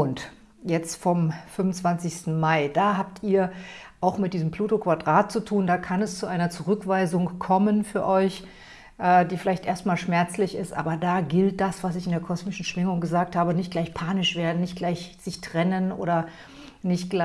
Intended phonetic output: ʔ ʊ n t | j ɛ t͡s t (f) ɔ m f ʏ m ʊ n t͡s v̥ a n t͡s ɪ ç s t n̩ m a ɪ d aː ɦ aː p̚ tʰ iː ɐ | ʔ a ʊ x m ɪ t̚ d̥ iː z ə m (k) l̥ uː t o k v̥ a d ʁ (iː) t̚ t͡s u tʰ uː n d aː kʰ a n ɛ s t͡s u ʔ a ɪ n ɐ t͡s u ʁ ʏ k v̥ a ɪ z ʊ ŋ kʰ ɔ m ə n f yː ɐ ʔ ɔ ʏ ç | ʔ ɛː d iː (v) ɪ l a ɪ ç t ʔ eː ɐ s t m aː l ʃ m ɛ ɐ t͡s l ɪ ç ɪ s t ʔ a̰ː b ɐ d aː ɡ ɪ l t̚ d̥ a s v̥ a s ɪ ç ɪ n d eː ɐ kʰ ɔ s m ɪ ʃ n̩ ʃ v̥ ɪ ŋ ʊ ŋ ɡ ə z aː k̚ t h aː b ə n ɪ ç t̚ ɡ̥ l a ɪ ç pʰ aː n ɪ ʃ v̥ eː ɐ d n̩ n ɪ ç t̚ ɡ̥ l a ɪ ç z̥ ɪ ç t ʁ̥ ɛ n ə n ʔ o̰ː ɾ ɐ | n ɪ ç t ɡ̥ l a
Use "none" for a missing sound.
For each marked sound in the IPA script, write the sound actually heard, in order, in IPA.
f, p, aː, f

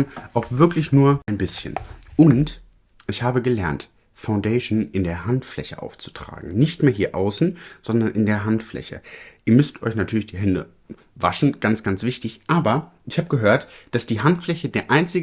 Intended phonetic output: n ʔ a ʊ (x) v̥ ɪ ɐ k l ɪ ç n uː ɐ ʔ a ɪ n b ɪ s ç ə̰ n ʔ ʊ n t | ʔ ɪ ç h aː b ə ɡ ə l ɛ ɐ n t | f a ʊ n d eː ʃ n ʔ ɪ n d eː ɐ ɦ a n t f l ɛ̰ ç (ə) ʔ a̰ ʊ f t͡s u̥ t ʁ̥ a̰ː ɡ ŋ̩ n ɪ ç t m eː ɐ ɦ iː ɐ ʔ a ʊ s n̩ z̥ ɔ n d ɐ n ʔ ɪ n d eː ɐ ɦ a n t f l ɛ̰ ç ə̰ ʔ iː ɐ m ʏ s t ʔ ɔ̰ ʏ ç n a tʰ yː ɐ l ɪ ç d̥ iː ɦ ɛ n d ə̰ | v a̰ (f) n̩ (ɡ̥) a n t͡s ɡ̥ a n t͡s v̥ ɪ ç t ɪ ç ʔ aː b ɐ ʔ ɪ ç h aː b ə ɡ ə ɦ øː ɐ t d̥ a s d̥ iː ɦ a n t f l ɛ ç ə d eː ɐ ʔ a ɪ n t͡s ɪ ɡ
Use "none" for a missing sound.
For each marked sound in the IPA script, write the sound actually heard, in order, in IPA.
x, ə, ʃ, ɡ̥

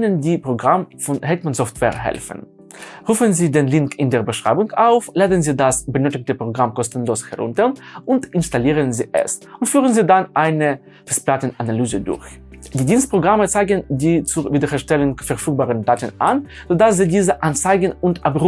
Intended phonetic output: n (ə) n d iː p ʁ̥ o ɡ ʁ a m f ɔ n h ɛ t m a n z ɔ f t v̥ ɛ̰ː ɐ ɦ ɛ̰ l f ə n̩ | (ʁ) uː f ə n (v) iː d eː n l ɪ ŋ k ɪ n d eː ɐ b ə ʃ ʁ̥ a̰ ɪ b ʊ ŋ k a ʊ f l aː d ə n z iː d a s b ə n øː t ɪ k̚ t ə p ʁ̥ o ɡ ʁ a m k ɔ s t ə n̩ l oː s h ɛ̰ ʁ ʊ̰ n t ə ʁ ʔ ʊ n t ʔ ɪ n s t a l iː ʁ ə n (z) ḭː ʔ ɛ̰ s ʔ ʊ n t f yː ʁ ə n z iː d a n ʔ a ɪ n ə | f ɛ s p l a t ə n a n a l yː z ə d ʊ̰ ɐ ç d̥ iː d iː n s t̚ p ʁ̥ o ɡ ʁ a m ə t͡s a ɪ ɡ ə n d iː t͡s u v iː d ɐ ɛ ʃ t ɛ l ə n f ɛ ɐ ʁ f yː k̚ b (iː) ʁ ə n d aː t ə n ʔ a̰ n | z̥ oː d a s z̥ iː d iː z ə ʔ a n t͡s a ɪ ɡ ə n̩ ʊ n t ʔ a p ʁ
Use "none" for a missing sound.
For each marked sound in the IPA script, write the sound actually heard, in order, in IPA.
ə, ʁ, z, z, aː

